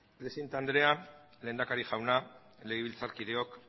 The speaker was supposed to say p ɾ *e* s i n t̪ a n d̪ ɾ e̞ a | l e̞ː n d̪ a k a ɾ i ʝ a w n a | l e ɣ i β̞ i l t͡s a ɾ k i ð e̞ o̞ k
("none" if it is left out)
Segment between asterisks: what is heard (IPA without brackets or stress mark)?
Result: e